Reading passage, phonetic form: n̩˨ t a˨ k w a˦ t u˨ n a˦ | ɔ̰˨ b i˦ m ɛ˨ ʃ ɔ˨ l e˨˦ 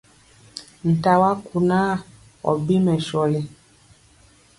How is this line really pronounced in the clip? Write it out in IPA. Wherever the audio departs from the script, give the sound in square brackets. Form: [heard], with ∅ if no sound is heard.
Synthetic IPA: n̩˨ t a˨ [∅] w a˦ [k] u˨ n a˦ | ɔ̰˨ b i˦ m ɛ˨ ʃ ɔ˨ l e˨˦